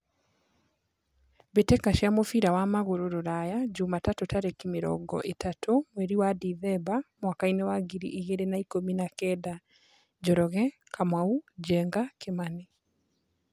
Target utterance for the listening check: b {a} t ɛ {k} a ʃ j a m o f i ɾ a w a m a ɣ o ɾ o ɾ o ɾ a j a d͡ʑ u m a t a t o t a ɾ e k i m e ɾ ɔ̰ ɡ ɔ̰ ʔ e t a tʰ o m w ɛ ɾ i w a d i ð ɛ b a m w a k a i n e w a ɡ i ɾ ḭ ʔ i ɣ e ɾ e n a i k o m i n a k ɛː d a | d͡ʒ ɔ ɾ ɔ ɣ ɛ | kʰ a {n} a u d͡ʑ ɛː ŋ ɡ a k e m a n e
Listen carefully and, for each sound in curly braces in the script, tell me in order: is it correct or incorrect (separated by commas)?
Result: incorrect, correct, incorrect